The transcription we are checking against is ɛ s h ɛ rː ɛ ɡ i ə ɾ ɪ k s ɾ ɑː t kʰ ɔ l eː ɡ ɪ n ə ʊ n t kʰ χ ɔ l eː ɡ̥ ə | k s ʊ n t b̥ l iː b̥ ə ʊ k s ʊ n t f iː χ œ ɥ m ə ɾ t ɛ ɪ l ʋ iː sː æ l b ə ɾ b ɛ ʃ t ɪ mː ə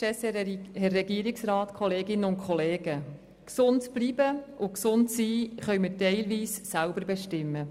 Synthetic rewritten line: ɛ s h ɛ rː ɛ ɡ i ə ɾ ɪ k s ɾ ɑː t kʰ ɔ l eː ɡ ɪ n ə ʊ n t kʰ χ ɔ l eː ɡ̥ ə | k s ʊ n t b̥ l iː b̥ ə ʊ k s ʊ n t s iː χ œ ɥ m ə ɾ t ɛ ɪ l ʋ iː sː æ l b ə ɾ b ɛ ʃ t ɪ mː ə